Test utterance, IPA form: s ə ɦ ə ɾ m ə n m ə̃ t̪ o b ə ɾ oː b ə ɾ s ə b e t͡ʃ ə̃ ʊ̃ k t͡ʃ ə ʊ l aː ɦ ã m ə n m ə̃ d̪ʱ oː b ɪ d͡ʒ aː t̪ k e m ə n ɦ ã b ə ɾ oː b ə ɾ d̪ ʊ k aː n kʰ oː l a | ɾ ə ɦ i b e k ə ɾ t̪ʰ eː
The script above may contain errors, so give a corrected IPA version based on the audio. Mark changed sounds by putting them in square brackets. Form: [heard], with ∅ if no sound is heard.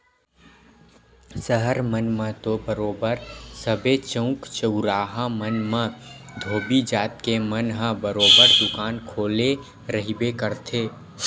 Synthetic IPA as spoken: s ə ɦ ə ɾ m ə n m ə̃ t̪ o b ə ɾ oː b ə ɾ s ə b e t͡ʃ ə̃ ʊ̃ k t͡ʃ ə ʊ [ɾ] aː ɦ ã m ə n m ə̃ d̪ʱ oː b [i] d͡ʒ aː t̪ k e m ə n ɦ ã b ə ɾ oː b ə ɾ d̪ ʊ k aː n kʰ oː l [e] | ɾ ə ɦ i b e k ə ɾ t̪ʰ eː